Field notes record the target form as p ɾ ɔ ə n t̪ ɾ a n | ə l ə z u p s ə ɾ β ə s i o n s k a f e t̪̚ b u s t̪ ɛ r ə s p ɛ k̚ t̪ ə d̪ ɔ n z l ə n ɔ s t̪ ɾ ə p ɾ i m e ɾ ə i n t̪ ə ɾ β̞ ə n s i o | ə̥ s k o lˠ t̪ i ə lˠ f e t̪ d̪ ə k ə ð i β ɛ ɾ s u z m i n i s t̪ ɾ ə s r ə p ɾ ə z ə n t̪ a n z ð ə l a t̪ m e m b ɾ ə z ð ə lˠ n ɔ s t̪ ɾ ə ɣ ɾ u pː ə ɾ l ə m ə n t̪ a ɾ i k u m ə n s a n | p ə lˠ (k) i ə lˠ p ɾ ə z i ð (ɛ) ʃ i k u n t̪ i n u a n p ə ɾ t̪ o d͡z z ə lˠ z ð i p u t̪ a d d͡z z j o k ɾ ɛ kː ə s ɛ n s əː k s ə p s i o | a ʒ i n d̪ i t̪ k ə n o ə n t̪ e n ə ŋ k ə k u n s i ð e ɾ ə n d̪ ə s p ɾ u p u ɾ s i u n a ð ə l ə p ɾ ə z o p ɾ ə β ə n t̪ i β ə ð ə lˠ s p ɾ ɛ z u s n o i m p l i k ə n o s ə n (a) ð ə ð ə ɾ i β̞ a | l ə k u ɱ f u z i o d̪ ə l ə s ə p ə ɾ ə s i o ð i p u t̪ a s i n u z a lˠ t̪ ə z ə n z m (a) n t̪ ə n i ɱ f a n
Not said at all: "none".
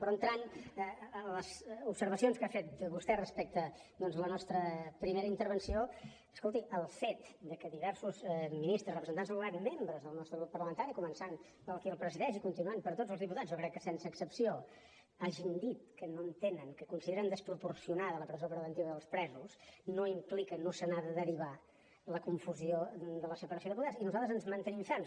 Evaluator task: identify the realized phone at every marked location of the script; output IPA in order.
k, ɛ, a, ə

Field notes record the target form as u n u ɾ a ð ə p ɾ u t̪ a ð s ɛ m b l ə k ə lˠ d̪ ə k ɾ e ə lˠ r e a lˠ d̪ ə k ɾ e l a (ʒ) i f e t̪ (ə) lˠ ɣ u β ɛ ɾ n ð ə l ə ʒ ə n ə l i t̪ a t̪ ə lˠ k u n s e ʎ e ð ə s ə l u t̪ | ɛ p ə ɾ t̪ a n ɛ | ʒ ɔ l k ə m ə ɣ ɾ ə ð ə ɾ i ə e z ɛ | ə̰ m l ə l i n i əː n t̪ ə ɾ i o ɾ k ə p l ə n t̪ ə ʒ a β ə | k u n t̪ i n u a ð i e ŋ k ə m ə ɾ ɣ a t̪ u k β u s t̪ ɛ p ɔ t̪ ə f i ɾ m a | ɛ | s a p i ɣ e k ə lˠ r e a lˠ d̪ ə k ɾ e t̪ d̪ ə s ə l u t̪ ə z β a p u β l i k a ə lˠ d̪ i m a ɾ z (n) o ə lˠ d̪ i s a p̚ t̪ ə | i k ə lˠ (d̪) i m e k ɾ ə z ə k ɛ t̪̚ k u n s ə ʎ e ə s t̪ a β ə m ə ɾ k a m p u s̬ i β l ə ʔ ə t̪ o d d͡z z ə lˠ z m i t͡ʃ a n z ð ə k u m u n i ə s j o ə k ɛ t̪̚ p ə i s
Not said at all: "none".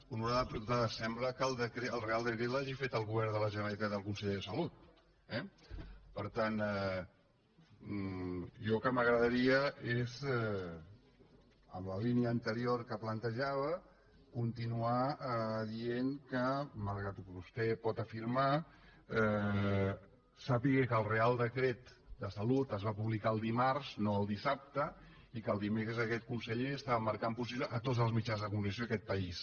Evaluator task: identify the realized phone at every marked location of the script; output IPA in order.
ʒ, ə, n, d̪

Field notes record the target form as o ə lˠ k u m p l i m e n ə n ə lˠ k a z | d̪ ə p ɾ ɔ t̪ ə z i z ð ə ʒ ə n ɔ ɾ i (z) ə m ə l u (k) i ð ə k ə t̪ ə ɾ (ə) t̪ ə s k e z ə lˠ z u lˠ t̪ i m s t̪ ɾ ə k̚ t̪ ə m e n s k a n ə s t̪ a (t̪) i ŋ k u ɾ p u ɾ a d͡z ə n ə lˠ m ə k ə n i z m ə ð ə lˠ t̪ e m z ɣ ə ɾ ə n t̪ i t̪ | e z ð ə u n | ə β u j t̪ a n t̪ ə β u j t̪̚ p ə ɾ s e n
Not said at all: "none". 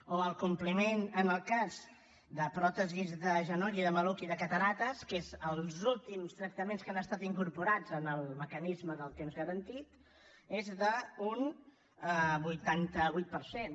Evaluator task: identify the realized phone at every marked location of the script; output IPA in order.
ð, k, a, t̪

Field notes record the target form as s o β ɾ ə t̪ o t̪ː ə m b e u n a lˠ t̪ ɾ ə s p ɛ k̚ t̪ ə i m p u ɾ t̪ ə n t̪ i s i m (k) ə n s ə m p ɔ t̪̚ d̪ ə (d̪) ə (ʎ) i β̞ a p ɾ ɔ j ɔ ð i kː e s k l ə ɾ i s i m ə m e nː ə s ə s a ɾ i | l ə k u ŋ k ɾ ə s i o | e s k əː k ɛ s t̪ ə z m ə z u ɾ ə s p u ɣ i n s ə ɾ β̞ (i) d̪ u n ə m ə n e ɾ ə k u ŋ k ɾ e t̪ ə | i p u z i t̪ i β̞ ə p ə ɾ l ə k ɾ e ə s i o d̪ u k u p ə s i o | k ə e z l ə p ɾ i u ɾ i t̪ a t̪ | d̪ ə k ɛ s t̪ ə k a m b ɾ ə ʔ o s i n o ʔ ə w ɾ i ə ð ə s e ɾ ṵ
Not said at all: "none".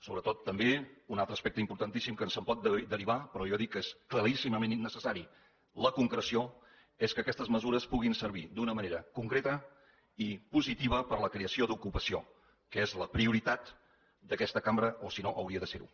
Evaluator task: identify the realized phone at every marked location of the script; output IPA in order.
k, d̪, ɾ, i

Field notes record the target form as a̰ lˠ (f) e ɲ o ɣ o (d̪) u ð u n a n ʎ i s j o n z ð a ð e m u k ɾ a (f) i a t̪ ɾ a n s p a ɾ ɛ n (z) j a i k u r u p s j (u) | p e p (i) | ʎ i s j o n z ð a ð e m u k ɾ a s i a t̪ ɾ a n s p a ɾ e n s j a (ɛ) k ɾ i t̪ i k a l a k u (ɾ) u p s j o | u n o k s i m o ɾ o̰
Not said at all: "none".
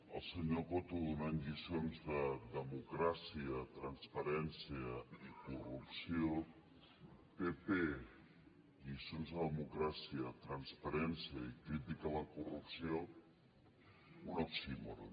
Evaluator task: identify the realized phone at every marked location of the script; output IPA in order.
s, t̪, s, s, o, e, i, r

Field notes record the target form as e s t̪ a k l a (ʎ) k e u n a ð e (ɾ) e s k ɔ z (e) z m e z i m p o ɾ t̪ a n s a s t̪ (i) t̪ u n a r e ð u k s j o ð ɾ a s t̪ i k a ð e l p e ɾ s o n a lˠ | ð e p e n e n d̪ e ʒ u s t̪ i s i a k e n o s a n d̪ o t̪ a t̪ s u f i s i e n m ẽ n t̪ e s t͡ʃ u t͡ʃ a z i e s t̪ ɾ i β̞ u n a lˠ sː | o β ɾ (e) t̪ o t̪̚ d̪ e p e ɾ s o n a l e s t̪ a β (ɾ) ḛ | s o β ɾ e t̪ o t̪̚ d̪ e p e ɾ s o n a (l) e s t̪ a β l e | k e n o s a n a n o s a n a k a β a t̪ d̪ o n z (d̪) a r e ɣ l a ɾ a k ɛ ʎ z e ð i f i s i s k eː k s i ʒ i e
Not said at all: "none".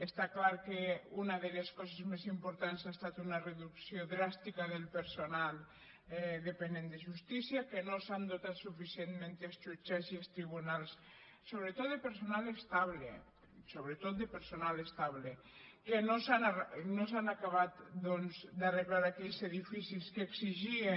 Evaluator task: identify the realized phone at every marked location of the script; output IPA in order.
ɾ, l, e, a, e, l, l, d̪

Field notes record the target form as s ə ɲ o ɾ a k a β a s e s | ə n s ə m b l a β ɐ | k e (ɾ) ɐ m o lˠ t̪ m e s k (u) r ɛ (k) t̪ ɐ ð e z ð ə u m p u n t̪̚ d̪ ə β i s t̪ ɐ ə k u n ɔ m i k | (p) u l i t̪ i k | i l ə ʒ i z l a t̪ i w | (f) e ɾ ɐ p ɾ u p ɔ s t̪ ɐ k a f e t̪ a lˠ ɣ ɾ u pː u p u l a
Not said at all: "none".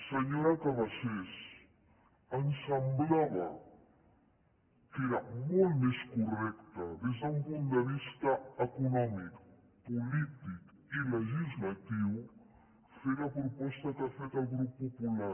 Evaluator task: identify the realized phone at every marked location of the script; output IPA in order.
ɾ, u, k, p, f

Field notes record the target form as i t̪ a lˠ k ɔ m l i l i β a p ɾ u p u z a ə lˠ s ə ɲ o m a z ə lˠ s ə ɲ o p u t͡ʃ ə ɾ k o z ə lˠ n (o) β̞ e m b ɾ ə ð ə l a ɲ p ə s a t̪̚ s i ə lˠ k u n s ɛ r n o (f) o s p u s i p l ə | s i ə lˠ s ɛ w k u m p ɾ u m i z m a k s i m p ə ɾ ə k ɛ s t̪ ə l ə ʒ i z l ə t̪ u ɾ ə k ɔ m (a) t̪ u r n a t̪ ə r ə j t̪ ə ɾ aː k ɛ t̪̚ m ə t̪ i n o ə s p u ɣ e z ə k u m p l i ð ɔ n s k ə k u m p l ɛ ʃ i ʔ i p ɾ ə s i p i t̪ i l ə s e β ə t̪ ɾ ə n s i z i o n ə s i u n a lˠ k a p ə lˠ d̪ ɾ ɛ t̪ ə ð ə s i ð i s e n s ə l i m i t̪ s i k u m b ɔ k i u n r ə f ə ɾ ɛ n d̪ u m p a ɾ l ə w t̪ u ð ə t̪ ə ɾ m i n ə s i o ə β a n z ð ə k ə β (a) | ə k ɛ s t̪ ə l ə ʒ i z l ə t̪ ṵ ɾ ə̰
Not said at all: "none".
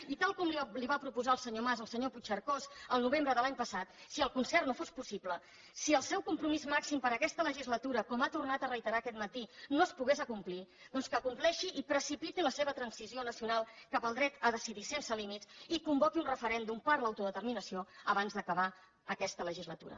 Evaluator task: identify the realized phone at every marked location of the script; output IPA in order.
u, f, a, a

